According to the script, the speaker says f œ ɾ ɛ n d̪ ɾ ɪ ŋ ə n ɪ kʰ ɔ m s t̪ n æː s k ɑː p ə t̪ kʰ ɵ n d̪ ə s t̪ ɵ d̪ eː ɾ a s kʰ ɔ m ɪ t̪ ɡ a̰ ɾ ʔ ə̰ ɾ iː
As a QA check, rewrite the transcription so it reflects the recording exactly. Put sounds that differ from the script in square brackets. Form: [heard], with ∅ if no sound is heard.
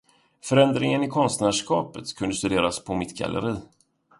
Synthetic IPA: f œ ɾ ɛ n d̪ ɾ ɪ ŋ ə n ɪ kʰ ɔ [n] s t̪ n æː [ʂ] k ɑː p ə t̪ kʰ ɵ n d̪ ə s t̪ ɵ d̪ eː ɾ a s [pʰ] ɔ m ɪ t̪ ɡ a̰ [l] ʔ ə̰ ɾ iː

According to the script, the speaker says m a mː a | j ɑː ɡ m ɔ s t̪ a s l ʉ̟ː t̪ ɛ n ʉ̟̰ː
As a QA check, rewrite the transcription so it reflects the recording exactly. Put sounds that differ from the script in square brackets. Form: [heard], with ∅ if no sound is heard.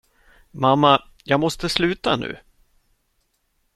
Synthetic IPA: m a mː a | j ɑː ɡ m ɔ s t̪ [ə] s l ʉ̟ː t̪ [a] n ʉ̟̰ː

